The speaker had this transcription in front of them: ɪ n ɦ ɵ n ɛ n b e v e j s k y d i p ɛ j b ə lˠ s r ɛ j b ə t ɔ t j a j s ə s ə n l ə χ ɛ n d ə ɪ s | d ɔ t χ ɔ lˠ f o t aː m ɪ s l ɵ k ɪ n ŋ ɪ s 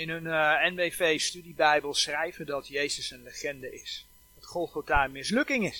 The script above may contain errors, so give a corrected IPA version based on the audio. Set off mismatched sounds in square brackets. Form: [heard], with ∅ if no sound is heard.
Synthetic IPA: ɪ n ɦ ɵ n ɛ n b e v e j s [t] y d i [b] ɛ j b ə lˠ s r ɛ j [v] ə [d] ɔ t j [e] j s ə s ə n l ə χ ɛ n d ə ɪ s | d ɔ t χ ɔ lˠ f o t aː m ɪ s l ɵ k ɪ [∅] ŋ ɪ s